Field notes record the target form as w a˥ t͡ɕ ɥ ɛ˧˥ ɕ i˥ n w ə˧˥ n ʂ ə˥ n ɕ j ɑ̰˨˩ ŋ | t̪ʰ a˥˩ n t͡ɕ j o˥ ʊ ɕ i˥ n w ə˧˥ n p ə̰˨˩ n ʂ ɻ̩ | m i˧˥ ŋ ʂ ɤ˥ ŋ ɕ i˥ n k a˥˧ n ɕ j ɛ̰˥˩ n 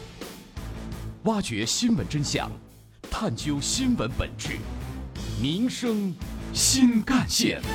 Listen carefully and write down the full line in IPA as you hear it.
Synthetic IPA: w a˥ t͡ɕ ɥ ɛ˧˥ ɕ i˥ n w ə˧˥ n ʈ͡ʂ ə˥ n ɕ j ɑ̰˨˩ ŋ | t̪ʰ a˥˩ n t͡ɕ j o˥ ʊ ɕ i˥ n w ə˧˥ n p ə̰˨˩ n ʈ͡ʂ ɻ̩ | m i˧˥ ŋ ʂ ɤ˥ ŋ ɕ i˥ n k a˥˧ n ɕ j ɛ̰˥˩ n